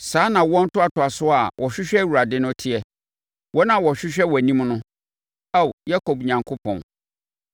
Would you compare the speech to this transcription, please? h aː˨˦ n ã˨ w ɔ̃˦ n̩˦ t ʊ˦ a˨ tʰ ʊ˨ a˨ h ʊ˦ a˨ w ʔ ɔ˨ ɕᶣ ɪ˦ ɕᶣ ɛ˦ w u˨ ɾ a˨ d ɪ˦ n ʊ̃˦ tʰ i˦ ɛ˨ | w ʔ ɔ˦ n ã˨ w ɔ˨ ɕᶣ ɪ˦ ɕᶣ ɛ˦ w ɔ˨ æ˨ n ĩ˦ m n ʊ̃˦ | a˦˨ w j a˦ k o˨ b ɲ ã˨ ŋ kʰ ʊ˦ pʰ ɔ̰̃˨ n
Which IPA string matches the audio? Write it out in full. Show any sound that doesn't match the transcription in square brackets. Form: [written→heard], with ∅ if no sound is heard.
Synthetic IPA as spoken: [h→s] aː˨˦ n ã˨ w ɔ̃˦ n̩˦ t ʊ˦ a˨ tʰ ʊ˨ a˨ [h→s] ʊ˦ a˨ w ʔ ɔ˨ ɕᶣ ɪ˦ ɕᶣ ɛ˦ w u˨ ɾ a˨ d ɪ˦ n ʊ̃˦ tʰ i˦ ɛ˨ | w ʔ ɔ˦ n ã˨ w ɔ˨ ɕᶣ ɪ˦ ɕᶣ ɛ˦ w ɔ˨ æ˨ n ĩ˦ m n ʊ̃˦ | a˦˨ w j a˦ k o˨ b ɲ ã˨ ŋ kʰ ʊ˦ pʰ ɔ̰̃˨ n